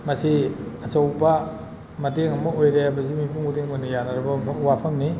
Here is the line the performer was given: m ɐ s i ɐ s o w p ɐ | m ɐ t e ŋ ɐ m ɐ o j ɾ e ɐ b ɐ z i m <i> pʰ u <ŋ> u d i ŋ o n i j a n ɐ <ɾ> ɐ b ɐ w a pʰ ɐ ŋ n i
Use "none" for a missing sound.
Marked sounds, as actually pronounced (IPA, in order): i, ŋ, ɾ

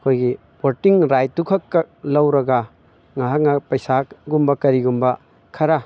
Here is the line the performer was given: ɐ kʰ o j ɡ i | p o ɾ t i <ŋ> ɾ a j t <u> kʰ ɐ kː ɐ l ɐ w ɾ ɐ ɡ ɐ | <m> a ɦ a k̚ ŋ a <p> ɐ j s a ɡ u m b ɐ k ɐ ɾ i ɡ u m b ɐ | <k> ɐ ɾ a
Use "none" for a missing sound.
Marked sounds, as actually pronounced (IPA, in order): ŋ, u, ŋ, p, kʰ

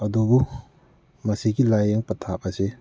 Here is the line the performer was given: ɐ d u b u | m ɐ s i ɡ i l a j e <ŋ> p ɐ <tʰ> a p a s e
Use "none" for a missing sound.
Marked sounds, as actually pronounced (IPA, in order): ŋ, tʰ

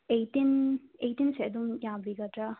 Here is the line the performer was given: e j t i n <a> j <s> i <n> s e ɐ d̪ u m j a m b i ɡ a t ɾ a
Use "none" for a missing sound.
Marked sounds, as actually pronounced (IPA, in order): e, t, n

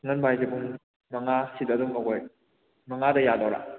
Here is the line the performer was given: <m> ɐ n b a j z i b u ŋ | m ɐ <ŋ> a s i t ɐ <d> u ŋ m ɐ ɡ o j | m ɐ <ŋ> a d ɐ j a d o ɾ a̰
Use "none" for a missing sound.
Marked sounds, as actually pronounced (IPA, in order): ŋ, ŋ, d, ŋ

